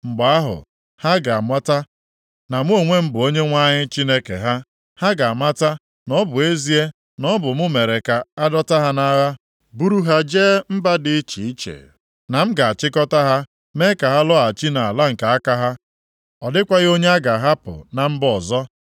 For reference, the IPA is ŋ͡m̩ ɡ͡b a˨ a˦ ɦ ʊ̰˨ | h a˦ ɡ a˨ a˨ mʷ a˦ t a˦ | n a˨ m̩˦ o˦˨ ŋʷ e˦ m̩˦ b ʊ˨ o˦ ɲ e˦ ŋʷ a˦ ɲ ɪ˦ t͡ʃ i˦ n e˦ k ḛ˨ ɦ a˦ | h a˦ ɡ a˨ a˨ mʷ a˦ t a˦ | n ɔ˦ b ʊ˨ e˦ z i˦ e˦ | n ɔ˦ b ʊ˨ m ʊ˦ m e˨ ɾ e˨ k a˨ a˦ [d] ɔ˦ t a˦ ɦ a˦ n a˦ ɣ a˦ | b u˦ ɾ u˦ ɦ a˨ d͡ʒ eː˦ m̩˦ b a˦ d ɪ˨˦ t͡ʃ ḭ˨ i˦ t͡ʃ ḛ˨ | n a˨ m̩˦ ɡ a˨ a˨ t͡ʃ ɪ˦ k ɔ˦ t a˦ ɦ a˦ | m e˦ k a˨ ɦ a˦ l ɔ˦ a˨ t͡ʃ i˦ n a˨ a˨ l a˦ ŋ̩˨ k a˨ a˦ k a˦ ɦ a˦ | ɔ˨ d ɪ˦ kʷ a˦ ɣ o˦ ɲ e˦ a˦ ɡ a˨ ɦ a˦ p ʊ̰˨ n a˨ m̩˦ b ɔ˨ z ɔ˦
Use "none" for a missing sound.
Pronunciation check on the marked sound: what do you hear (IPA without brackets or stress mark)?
d